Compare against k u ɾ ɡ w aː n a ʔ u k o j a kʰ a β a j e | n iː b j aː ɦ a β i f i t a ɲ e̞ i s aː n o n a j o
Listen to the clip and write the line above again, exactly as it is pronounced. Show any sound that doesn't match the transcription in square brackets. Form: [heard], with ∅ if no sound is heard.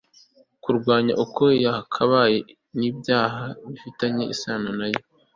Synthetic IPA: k u ɾ ɡ w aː [ɲ] a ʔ u k o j a kʰ a β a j e | n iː b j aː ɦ a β i f i t a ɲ e̞ i s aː n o n a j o